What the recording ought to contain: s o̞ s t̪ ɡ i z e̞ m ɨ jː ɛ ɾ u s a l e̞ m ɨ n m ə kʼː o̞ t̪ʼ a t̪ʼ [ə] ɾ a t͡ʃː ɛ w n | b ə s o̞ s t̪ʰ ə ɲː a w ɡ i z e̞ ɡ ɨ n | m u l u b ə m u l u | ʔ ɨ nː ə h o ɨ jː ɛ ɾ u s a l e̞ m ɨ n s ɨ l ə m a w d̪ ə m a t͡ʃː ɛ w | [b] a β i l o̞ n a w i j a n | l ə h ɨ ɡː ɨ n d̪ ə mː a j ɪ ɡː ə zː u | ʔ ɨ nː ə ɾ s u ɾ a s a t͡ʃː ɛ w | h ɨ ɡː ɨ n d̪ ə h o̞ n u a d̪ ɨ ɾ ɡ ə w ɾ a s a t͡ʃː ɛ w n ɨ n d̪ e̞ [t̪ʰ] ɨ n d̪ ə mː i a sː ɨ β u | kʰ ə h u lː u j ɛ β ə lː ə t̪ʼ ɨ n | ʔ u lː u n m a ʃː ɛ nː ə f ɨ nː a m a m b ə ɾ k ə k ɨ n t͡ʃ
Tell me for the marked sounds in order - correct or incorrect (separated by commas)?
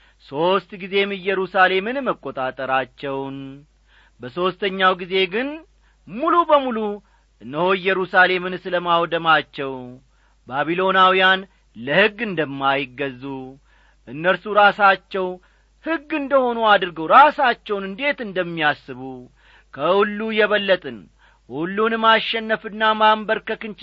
correct, correct, incorrect